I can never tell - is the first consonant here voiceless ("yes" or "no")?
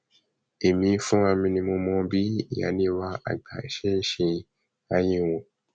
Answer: no